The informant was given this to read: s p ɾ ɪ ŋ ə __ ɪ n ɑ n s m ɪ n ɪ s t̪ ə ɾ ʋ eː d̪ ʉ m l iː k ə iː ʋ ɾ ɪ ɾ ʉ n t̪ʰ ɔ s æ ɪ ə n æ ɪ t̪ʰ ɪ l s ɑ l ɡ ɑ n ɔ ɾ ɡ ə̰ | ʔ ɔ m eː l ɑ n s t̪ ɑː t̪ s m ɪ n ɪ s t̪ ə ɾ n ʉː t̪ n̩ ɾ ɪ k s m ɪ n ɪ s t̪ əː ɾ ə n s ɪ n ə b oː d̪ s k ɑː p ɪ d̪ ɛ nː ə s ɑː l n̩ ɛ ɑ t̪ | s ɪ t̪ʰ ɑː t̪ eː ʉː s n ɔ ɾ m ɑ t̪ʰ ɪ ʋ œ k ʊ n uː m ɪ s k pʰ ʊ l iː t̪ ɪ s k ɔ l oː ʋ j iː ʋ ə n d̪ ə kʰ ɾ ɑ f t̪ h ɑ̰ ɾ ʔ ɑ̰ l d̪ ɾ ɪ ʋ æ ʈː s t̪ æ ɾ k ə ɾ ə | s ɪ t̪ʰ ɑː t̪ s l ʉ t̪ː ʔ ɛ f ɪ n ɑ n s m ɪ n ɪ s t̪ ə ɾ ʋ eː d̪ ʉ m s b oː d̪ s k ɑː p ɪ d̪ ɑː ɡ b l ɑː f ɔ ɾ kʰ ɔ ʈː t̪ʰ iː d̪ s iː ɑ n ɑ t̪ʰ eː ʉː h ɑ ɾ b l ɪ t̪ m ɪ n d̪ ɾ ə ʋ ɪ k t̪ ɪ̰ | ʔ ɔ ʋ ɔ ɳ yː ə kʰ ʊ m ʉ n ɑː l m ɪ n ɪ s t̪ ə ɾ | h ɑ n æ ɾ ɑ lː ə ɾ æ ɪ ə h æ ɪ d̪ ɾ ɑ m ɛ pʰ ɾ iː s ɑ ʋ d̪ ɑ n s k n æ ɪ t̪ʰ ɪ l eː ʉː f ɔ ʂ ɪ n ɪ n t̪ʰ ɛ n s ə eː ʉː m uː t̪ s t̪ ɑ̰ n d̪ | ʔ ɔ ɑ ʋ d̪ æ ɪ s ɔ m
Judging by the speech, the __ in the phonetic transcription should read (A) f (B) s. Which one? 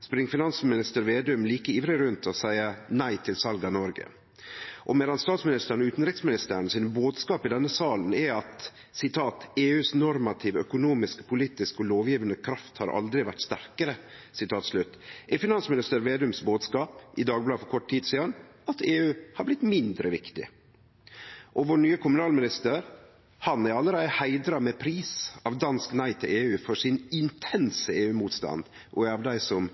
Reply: A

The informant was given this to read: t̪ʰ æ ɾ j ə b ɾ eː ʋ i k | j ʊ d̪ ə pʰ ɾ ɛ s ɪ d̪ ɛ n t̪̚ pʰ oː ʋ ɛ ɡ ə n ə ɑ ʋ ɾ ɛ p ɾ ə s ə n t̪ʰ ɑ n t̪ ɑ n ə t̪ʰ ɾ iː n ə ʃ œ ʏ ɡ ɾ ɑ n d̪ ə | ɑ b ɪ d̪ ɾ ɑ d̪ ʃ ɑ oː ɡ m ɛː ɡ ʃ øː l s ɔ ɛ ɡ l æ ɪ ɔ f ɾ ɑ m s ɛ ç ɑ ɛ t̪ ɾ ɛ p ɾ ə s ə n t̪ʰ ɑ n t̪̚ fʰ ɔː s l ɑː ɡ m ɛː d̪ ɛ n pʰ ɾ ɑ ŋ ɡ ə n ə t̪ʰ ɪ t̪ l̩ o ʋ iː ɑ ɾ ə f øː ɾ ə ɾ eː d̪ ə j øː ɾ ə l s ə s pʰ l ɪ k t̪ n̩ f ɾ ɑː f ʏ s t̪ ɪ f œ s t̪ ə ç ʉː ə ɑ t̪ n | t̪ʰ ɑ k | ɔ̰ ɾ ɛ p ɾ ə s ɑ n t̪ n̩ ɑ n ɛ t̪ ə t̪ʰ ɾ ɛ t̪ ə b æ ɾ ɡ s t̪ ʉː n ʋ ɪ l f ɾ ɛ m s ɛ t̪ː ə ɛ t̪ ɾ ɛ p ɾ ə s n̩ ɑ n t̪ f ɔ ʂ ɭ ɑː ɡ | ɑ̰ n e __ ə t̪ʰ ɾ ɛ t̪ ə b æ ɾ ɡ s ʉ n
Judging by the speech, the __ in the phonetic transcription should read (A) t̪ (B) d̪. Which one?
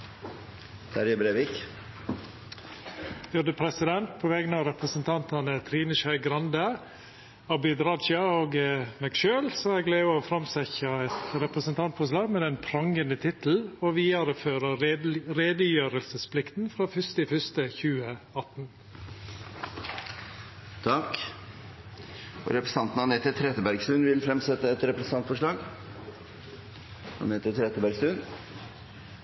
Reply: A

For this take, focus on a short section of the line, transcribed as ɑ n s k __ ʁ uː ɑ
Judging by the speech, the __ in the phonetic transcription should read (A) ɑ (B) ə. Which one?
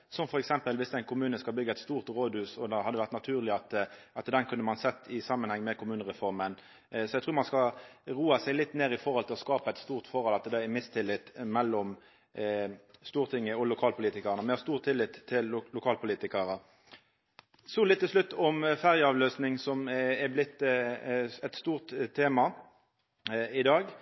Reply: A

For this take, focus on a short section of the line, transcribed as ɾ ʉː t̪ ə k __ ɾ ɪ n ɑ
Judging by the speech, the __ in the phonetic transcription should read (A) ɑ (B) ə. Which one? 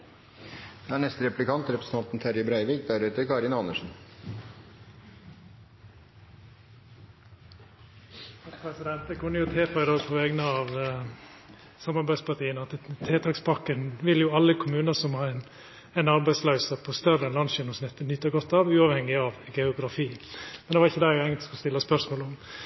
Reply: A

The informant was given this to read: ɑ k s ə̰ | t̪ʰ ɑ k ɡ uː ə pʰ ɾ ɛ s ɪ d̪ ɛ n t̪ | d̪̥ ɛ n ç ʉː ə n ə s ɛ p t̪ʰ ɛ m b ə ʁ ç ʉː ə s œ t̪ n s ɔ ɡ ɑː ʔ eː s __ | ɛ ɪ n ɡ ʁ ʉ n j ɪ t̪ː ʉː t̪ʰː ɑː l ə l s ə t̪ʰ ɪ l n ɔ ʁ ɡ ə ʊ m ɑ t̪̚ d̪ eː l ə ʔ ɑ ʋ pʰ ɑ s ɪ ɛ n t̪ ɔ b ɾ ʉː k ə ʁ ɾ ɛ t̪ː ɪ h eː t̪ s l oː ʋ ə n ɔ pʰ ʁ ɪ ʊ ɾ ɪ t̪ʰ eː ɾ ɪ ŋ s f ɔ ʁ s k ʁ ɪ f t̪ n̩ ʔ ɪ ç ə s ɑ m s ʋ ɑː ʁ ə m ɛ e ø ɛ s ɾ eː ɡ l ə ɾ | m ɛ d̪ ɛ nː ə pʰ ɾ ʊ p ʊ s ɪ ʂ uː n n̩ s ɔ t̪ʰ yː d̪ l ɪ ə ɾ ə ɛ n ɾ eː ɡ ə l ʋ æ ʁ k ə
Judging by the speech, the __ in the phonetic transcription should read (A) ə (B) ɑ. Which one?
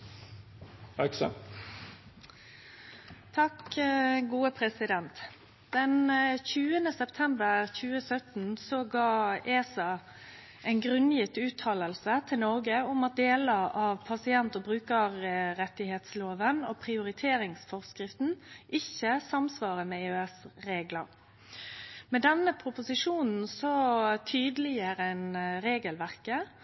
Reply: B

